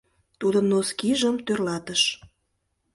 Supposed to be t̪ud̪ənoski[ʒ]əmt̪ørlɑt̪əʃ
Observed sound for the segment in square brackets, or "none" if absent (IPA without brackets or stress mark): ʒ